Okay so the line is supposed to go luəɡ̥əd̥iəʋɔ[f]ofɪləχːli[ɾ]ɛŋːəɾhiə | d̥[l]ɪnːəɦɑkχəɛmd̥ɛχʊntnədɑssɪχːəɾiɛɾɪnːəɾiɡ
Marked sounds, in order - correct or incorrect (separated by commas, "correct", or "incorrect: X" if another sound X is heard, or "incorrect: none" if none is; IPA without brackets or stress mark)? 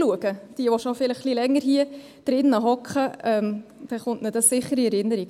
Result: incorrect: ʃ, incorrect: l, incorrect: ɾ